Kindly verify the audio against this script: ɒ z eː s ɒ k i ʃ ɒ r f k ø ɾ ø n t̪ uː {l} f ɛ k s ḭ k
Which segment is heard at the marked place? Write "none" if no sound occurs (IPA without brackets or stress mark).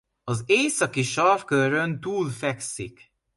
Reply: l